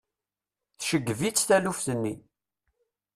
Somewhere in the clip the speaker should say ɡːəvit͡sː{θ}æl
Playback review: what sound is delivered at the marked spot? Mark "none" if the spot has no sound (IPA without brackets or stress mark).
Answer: θ